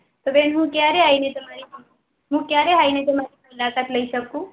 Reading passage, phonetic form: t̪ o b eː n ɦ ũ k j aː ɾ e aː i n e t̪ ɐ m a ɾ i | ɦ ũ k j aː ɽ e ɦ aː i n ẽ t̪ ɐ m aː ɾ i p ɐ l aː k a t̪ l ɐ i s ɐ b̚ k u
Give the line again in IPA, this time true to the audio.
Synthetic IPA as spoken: t̪ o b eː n ɦ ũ k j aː ɾ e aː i n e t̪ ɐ m a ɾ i | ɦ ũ k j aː ɾ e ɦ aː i n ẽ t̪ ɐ m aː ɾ i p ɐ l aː k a t̪ l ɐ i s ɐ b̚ k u